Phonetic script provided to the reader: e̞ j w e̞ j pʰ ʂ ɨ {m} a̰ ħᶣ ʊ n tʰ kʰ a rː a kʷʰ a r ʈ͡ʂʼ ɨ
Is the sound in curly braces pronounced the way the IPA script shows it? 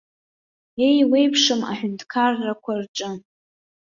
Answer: yes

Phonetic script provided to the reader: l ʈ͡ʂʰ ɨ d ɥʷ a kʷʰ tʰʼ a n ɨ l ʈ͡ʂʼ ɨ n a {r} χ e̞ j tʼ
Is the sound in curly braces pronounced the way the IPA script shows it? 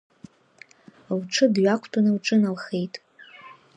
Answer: no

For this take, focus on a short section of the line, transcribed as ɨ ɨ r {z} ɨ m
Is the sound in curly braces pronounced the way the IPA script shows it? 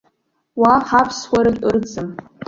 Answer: no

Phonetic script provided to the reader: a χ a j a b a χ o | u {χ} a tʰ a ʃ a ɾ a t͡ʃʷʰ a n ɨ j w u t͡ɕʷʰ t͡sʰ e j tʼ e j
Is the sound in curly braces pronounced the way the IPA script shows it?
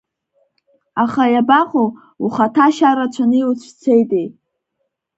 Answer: yes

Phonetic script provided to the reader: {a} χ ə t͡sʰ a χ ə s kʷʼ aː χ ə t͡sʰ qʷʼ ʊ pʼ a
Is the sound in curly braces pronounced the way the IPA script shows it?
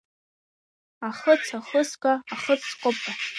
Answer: yes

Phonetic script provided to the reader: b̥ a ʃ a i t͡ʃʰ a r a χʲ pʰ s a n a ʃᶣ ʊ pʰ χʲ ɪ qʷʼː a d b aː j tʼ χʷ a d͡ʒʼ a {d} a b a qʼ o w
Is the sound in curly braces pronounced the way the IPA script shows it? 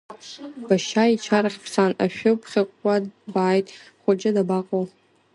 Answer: yes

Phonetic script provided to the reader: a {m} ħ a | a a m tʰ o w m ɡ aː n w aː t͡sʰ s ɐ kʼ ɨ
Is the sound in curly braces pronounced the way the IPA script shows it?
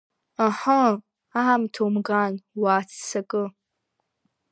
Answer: no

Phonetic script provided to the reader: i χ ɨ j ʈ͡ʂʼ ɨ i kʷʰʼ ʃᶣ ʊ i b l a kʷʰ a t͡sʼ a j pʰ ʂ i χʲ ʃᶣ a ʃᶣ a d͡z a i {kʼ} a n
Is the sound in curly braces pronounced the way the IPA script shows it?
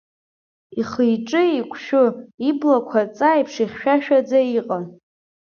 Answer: no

